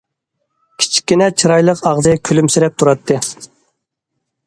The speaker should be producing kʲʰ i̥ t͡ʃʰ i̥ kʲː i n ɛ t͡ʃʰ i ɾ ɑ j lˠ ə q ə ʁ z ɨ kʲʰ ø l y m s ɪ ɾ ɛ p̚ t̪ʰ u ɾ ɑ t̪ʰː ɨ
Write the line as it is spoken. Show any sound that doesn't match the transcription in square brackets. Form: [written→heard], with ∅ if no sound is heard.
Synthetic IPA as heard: kʲʰ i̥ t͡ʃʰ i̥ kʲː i n ɛ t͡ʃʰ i ɾ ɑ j lˠ ə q [ə→ɑ] ʁ z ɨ kʲʰ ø l y m s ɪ ɾ ɛ p̚ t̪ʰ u ɾ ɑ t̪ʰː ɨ